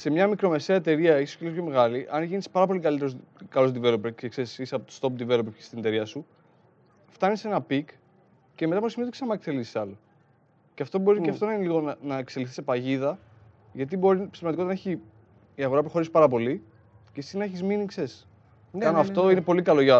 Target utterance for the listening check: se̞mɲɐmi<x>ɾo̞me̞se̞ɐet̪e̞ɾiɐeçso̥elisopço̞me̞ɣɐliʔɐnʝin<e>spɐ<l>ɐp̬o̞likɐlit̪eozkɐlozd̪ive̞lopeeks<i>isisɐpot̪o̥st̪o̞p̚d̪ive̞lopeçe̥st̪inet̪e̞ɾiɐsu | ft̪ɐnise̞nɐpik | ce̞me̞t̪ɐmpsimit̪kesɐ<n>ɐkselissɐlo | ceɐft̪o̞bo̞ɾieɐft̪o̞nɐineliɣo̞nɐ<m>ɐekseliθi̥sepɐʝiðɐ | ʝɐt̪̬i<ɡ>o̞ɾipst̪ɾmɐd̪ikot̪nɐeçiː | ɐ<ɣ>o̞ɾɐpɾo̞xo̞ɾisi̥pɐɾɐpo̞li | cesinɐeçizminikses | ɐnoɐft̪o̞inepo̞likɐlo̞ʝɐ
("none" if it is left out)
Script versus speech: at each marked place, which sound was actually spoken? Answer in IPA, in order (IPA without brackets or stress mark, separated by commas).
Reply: k, i, ɾ, e, m, n, b, ɣ